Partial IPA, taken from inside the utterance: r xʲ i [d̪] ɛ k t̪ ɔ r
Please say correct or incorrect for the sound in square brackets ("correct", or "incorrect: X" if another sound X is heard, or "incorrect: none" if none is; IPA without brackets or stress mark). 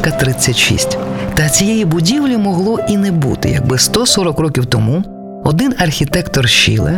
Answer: incorrect: t̪